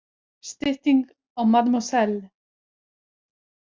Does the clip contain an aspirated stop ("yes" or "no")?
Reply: no